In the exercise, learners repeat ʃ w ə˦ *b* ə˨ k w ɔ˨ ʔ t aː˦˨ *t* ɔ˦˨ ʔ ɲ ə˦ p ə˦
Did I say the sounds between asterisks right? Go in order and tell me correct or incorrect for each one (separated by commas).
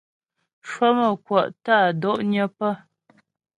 incorrect, incorrect